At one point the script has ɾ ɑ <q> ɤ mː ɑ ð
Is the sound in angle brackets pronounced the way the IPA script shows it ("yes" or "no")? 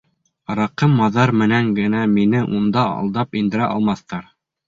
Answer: yes